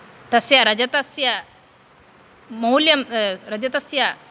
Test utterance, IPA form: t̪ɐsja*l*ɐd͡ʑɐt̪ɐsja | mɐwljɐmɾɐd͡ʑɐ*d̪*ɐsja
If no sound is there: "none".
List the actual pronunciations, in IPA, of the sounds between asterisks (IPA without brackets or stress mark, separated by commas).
ɾ, t̪